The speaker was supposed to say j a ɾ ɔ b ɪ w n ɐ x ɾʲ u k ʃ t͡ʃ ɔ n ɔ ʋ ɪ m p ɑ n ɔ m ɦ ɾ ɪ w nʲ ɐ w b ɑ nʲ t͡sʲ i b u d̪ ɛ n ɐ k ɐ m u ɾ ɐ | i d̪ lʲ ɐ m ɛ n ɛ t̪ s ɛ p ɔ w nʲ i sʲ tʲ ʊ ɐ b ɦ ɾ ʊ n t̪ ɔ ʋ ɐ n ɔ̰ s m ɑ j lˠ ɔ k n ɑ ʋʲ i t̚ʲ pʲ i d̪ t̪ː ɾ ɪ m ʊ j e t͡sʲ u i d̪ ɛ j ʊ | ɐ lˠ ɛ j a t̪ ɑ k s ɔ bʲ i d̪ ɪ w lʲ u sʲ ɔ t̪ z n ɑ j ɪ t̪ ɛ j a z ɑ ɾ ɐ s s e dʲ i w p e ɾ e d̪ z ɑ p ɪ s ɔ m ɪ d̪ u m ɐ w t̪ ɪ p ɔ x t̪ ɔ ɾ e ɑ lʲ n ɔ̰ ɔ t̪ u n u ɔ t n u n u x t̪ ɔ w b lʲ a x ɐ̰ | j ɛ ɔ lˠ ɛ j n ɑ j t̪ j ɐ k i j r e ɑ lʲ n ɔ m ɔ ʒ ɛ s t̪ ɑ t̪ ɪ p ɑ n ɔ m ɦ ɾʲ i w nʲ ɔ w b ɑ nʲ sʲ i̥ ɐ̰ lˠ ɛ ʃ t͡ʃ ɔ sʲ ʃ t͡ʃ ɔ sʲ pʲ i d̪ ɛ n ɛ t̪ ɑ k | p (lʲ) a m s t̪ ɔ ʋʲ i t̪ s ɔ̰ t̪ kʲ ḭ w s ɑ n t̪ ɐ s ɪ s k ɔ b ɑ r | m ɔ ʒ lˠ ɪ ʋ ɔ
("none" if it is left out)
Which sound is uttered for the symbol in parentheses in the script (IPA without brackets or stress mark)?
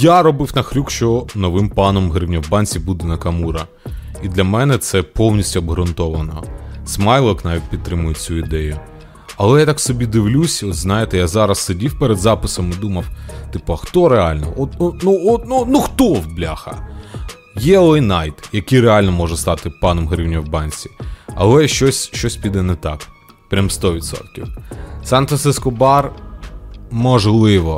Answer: ɾʲ